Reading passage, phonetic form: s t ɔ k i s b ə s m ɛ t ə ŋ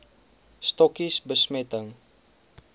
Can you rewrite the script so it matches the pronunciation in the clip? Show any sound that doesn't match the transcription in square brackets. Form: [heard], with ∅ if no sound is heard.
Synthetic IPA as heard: s t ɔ k i s b ə s m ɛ t ə ŋ